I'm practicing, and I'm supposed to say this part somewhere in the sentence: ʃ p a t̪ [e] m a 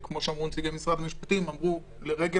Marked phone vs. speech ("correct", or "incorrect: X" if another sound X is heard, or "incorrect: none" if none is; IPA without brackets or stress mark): incorrect: i